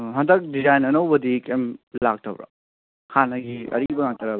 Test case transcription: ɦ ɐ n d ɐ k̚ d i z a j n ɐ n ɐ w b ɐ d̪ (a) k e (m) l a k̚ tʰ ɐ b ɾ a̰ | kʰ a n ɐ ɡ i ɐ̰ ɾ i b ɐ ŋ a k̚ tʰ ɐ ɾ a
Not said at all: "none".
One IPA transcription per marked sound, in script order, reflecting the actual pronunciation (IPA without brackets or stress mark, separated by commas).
i, m